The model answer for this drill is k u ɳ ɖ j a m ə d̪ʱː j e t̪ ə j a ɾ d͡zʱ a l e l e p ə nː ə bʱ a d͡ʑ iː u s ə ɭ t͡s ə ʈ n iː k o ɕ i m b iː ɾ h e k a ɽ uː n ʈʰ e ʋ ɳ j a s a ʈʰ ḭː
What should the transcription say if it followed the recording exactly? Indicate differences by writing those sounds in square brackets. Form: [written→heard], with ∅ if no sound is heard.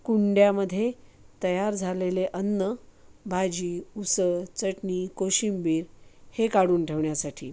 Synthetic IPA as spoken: k u ɳ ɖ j a m ə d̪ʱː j e t̪ ə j a ɾ d͡zʱ a l e l e [p→ʔ] ə nː ə bʱ a d͡ʑ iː u s ə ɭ t͡s ə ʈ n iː k o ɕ i m b iː ɾ h e k a ɽ uː n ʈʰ e ʋ ɳ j a s a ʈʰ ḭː